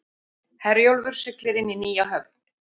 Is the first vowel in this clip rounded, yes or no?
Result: no